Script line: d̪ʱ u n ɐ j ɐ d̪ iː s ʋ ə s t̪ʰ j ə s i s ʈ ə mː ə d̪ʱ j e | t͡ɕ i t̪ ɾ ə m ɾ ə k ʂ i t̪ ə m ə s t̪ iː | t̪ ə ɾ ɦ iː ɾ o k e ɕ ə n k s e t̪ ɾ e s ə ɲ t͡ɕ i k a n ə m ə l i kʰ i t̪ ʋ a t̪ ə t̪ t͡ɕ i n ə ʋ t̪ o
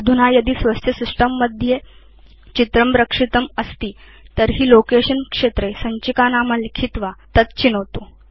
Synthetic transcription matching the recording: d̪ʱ u n a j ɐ d̪ iː s ʋ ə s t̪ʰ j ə s i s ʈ ə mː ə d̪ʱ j e | t͡ɕ i t̪ ɾ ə m ɾ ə k ʂ i t̪ ə m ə s t̪ iː | t̪ ə ɾ ɦ iː l o k e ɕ ə n k ʂ e t̪ ɾ e s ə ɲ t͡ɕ i k a n a m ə l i kʰ i t̪ ʋ a t̪ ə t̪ t͡ɕ i n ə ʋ t̪ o